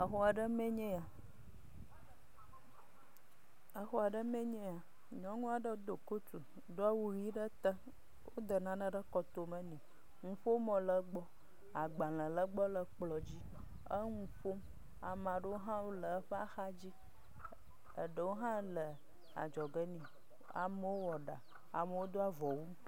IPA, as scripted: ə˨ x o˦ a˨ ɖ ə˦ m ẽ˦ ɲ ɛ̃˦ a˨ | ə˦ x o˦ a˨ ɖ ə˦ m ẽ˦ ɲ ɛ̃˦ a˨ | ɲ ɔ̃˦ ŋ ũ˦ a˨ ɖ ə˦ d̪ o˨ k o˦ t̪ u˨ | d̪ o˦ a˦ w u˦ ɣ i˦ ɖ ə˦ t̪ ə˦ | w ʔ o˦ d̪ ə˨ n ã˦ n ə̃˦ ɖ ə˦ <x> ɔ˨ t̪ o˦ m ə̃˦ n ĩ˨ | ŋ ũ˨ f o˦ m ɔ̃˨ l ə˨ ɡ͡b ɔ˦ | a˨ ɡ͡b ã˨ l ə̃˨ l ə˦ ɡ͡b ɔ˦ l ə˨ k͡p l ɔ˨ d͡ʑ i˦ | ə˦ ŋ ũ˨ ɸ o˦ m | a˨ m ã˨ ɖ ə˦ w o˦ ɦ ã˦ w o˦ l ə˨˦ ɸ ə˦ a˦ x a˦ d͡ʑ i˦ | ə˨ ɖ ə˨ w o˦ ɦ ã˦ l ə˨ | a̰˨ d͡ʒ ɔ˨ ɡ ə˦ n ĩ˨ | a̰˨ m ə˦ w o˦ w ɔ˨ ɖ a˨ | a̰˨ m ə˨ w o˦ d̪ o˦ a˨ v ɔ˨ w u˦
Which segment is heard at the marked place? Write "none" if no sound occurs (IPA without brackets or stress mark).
k